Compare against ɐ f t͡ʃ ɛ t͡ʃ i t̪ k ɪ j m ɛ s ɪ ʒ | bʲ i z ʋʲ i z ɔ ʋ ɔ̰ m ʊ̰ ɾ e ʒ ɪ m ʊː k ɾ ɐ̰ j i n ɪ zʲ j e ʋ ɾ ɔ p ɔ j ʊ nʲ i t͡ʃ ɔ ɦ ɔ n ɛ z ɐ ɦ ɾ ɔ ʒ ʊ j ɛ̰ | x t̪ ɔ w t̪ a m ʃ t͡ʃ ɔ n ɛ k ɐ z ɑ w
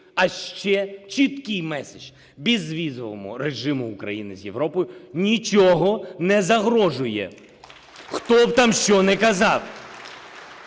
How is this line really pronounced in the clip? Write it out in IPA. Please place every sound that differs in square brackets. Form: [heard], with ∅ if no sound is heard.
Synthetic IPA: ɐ [ʃ] t͡ʃ ɛ t͡ʃ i t̪ k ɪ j m ɛ s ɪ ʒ | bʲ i z ʋʲ i z ɔ ʋ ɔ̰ m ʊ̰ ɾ e ʒ ɪ m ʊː k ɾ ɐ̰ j i n ɪ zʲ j e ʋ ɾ ɔ p ɔ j ʊ nʲ i t͡ʃ ɔ ɦ ɔ n ɛ z ɐ ɦ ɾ ɔ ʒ ʊ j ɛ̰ | x t̪ ɔ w t̪ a m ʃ t͡ʃ ɔ n ɛ k ɐ z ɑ w